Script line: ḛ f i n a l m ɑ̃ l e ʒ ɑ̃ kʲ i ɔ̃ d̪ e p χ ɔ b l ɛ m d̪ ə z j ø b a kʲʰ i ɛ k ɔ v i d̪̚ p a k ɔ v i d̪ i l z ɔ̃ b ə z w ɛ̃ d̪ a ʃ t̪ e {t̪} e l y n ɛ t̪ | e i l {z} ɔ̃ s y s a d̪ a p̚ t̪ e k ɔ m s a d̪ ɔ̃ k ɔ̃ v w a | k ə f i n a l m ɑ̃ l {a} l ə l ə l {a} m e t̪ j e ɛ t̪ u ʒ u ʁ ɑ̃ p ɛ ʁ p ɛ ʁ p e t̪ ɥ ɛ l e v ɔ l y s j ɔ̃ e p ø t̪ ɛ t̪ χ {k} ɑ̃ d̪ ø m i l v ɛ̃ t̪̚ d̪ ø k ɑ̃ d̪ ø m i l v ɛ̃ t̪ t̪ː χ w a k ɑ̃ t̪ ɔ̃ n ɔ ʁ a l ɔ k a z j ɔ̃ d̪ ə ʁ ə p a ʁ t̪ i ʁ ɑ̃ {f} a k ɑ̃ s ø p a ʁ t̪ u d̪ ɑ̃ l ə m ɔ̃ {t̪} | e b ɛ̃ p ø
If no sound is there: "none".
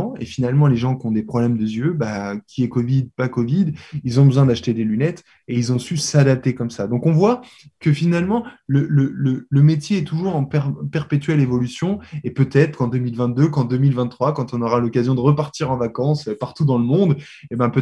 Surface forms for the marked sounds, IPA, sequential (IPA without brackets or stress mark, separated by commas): d̪, z, ə, ə, k, v, d̪